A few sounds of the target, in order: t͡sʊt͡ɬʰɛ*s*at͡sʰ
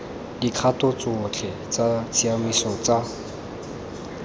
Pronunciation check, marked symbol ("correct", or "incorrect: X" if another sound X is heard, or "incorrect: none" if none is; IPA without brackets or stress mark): incorrect: t͡s